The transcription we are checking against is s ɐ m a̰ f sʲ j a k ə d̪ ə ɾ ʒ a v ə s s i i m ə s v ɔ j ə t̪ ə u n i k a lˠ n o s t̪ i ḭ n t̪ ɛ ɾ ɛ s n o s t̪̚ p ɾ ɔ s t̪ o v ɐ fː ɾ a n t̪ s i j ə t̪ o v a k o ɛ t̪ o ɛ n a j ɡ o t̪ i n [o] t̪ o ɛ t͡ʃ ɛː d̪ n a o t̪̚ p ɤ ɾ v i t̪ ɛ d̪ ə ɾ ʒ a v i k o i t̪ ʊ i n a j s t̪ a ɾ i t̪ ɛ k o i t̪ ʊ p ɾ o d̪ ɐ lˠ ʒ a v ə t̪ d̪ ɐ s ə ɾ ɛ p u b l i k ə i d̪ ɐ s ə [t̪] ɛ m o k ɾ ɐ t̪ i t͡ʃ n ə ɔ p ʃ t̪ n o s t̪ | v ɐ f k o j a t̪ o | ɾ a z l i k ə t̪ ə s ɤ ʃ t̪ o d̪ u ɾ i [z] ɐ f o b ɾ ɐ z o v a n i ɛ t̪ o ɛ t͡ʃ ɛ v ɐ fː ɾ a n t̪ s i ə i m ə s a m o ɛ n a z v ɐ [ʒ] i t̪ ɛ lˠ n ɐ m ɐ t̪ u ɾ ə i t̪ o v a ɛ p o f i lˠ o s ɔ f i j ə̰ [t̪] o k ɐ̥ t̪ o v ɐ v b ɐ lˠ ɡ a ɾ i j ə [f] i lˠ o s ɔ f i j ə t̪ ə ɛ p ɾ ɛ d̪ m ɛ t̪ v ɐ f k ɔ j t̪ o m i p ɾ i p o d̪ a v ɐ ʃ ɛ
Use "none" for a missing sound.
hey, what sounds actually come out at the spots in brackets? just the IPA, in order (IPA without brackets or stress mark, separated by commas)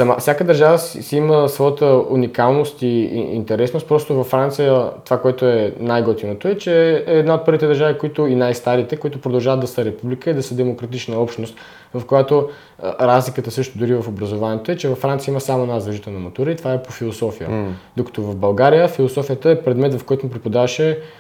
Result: o, d̪, v, ʒ, d̪, f